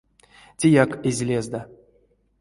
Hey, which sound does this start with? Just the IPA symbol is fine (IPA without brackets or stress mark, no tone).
tʲ